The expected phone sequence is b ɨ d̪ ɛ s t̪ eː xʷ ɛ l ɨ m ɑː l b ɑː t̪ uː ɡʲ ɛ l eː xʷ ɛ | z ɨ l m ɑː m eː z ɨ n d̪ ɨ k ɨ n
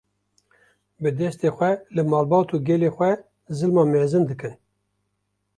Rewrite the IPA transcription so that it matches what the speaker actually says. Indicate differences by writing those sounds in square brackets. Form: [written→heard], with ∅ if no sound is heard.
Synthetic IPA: b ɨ d̪ ɛ s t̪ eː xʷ ɛ l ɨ m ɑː l b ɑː t̪ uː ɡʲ ɛ l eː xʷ ɛ | z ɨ l m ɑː m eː z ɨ n d̪ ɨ k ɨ n